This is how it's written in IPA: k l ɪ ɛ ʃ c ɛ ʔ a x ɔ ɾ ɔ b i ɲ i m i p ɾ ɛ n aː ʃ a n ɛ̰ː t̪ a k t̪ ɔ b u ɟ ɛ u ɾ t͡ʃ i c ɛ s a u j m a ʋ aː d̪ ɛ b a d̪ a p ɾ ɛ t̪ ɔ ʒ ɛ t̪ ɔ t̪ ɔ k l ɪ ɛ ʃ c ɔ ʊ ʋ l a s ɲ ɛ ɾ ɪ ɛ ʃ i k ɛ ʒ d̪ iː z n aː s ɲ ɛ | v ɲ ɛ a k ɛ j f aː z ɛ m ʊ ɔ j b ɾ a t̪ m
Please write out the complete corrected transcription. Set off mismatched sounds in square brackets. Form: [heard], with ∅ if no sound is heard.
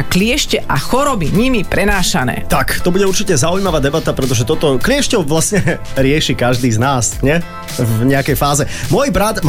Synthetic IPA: k l ɪ ɛ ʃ c ɛ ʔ a x ɔ ɾ ɔ b i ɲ i m i p ɾ ɛ n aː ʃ a n ɛ̰ː t̪ a k t̪ ɔ b u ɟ ɛ u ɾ t͡ʃ i c ɛ [z] a u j m a ʋ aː d̪ ɛ b a [t̪] a p ɾ ɛ t̪ ɔ ʒ ɛ t̪ ɔ t̪ ɔ k l ɪ ɛ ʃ c ɔ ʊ ʋ l a s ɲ ɛ ɾ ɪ ɛ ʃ i k [a] ʒ d̪ iː z n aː s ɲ ɛ | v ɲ ɛ a k ɛ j f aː z ɛ m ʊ ɔ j b ɾ a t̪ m